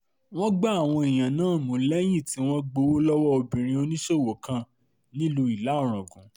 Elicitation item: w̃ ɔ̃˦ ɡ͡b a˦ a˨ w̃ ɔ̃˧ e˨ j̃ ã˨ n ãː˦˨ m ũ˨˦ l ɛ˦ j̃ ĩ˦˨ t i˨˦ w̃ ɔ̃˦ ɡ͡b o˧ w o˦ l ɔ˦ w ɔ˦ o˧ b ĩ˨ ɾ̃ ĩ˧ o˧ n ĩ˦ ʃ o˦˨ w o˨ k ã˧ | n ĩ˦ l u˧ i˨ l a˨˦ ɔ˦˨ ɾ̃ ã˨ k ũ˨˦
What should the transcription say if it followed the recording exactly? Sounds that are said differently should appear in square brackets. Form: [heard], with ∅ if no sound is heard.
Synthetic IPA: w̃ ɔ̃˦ ɡ͡b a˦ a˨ w̃ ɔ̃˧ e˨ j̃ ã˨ n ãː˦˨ m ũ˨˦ l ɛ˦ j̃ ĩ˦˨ t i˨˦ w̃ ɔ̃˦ ɡ͡b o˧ w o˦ l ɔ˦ w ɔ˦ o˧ b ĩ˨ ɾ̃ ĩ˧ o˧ n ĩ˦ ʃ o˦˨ w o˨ k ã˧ | n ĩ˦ l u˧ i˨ l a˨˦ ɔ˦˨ ɾ̃ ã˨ [ɡ] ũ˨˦

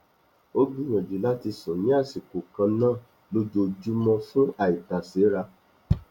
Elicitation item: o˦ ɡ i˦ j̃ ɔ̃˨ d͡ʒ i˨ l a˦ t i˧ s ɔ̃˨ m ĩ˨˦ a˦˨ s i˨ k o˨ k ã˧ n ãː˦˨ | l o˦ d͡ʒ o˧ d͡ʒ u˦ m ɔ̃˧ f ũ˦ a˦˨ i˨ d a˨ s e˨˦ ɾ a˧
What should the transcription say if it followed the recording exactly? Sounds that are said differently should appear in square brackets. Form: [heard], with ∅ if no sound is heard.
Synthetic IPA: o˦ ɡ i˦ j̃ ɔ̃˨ d͡ʒ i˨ l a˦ t i˧ s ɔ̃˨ [n] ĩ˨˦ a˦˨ s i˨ k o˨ k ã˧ n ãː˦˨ | l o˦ d͡ʒ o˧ d͡ʒ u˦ m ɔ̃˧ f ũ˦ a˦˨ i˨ [t] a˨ s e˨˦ ɾ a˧

